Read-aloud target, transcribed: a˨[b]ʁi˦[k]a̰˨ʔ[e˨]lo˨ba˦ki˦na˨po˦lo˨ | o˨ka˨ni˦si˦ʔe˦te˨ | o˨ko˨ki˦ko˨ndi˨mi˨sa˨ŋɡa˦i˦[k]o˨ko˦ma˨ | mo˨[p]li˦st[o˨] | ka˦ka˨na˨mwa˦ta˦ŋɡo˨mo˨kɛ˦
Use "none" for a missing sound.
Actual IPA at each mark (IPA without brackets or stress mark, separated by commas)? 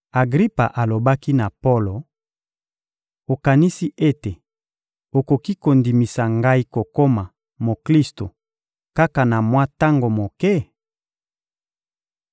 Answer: ɡ, p, a˨, k, k, o˨